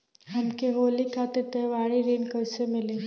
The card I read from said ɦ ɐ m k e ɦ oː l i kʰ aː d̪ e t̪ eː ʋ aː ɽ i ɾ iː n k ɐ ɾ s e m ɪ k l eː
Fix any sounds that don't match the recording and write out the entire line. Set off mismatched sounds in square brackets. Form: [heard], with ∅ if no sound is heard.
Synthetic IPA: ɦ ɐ m k e ɦ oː l i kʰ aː [t̪] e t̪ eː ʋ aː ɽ i ɾ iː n k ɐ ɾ s e m ɪ [∅] l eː